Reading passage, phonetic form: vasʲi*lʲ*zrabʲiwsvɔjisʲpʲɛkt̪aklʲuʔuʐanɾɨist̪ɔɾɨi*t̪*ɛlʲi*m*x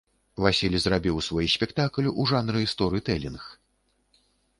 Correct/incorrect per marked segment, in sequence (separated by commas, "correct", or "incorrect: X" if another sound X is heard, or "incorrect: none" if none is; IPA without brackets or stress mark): correct, correct, incorrect: n